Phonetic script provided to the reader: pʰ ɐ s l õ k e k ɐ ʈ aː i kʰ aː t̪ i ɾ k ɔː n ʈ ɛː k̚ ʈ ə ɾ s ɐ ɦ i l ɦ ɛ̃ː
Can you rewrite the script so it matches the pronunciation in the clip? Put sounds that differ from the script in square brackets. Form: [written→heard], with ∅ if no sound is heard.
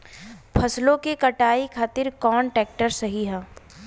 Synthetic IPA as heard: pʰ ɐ s l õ k e k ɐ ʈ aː i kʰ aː t̪ [i→ɪ] ɾ k ɔː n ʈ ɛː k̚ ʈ ə ɾ s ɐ ɦ i [l→∅] ɦ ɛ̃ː